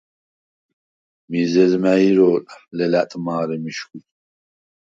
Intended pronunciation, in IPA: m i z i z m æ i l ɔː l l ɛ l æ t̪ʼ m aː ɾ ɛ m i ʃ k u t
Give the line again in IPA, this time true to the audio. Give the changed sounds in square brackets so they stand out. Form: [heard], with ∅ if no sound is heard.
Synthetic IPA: m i z [ɛ] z m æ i [ɾ] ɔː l l ɛ l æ t̪ʼ m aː ɾ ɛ m i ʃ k u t